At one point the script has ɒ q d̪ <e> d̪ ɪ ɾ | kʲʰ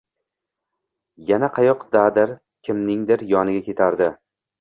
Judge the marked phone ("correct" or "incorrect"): incorrect